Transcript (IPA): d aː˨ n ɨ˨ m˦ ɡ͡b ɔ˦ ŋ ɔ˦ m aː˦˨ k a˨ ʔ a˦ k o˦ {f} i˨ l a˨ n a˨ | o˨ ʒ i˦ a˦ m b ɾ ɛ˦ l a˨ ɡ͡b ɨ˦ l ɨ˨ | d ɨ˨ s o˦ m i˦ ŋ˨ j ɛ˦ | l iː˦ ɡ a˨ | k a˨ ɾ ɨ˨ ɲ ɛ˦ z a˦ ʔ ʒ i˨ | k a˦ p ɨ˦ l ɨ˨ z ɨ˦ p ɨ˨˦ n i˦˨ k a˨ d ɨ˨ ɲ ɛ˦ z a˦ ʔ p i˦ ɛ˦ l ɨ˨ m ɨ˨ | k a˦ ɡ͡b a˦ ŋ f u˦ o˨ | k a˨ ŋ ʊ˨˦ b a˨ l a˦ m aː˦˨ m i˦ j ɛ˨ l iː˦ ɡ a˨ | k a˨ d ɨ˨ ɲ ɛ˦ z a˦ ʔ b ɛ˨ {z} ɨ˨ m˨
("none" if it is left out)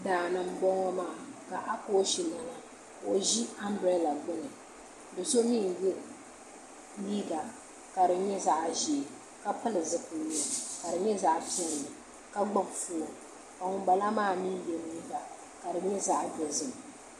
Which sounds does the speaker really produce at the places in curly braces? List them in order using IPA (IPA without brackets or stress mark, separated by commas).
ʃ, z